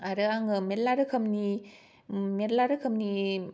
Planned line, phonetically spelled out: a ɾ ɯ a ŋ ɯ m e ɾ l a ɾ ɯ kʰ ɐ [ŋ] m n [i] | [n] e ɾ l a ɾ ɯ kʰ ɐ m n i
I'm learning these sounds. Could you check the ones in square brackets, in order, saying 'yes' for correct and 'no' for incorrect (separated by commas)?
no, yes, no